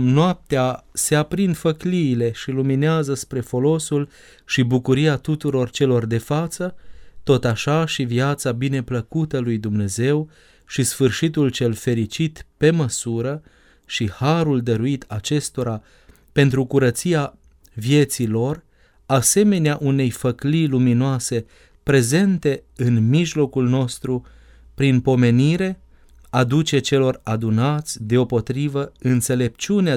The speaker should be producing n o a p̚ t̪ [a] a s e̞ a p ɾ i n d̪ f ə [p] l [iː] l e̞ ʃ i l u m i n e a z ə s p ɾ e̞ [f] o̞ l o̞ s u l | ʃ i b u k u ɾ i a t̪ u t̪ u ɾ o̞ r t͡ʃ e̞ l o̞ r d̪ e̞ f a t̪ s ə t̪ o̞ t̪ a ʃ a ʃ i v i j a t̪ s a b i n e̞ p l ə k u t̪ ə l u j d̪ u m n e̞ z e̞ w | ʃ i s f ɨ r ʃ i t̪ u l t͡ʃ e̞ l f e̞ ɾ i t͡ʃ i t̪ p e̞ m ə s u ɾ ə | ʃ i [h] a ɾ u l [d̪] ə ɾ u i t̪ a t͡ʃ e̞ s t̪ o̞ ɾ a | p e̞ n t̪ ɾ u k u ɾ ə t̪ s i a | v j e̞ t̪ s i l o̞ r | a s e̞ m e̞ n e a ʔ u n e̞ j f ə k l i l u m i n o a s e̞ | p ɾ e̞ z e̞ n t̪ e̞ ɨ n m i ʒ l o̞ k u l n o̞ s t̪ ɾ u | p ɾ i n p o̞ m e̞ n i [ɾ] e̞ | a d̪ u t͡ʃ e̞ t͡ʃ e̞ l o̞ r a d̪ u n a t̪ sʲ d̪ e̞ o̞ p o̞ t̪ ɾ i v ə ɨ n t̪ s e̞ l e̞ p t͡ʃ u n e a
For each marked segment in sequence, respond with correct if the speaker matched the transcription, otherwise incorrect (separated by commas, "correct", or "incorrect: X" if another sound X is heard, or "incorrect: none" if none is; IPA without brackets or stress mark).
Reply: incorrect: e, incorrect: k, correct, correct, correct, correct, correct